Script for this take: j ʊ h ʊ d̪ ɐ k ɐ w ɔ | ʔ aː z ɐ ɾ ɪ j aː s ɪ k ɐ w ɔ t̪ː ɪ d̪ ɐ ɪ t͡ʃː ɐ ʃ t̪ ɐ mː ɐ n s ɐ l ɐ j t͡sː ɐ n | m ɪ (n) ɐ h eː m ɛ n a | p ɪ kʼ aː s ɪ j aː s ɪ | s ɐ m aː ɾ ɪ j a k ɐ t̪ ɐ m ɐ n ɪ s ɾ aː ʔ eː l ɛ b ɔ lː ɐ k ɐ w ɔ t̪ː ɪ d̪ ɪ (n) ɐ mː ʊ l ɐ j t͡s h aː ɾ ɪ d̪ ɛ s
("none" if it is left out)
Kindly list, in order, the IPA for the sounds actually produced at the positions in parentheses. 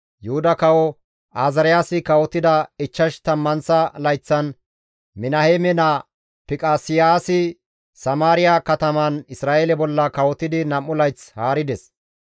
n, n

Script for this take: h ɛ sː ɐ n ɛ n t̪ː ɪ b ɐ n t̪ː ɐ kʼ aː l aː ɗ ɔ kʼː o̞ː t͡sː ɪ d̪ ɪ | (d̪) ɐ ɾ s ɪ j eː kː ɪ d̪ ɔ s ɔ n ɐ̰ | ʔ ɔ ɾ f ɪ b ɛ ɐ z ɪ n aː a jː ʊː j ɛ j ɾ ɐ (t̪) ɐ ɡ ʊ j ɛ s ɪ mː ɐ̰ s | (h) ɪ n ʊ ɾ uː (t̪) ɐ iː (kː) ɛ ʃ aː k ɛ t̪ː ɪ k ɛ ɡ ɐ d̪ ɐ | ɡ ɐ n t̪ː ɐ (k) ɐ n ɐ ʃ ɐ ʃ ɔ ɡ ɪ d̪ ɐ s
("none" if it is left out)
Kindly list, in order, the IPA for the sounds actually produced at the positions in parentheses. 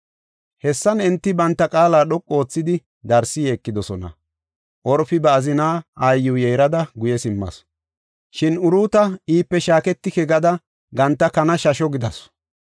d̪, d̪, ʃ, t̪, pː, k

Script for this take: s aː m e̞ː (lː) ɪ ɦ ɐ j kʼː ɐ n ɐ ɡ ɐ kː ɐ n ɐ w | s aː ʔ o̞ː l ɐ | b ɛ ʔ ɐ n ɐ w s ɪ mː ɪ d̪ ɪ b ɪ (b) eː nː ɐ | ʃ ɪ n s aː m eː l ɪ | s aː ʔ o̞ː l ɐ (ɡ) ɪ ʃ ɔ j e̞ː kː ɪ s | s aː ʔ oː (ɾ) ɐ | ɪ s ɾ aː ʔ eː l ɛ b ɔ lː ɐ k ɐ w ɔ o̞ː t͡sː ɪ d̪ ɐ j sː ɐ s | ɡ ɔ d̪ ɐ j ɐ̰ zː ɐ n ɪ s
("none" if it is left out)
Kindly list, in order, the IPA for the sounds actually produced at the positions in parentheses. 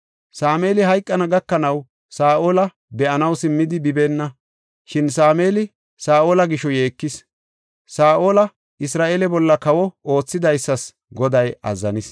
l, b, ɡ, l

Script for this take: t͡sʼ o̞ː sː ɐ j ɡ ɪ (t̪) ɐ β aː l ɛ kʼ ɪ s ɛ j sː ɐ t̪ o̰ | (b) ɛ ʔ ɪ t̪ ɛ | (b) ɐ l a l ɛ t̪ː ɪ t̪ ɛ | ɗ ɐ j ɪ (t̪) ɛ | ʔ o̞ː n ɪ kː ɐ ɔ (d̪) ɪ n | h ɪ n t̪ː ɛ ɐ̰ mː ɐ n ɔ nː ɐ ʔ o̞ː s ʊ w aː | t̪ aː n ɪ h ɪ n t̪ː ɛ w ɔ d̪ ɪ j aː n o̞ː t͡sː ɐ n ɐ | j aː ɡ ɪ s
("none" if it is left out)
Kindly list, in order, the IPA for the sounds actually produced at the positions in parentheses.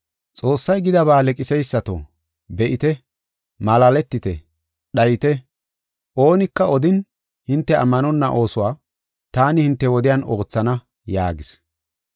d̪, b, m, t̪, d̪

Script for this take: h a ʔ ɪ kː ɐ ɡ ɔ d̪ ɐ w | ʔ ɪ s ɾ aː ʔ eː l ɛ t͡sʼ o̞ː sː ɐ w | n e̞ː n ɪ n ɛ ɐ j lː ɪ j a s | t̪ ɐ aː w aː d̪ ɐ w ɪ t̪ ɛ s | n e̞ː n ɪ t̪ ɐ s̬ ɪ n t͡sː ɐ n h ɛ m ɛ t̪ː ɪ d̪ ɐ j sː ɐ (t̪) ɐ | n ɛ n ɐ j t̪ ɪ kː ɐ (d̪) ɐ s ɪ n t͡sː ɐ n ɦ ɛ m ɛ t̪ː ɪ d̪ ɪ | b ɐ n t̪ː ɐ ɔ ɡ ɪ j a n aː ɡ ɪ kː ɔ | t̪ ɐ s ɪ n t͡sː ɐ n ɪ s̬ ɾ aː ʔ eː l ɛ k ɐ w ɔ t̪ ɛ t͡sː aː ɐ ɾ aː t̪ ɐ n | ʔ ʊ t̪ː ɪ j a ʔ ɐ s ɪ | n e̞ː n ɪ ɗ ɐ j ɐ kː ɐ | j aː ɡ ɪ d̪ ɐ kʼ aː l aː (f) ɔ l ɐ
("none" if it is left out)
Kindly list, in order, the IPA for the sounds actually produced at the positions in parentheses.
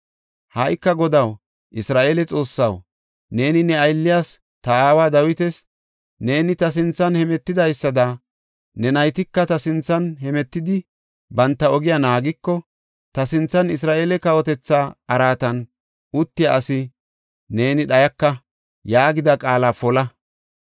d̪, t̪, f

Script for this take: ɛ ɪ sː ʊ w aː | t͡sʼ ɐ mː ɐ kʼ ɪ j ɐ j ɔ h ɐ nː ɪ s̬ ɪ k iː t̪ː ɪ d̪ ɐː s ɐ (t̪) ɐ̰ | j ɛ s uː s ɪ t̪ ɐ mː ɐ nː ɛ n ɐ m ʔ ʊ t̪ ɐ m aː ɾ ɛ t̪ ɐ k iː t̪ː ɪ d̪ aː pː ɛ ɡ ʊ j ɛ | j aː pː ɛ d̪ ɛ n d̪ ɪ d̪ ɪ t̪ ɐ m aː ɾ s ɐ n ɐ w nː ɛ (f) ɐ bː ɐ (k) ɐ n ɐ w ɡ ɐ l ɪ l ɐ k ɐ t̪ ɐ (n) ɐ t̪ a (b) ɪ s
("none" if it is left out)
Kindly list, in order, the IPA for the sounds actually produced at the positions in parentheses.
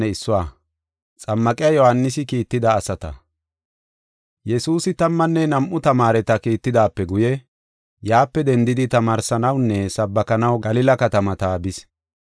t̪, s, k, m, b

